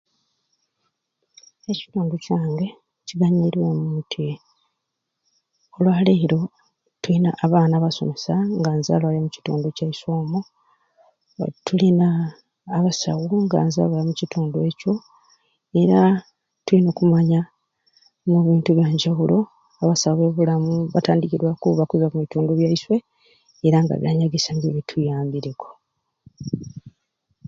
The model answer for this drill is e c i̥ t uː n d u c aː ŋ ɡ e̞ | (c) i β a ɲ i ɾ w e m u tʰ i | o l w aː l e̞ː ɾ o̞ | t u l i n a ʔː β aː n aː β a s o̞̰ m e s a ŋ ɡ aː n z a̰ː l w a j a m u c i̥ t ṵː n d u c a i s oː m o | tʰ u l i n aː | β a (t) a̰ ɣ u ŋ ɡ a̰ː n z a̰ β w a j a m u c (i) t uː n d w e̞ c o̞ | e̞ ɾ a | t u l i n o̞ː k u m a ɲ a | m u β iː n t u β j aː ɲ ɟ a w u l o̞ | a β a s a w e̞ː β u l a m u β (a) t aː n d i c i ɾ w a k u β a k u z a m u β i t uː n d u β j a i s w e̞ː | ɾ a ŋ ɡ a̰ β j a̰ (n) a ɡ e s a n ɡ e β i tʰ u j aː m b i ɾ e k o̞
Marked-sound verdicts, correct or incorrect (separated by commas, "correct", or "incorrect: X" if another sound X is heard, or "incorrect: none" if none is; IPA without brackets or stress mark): correct, incorrect: s, correct, correct, incorrect: ɲ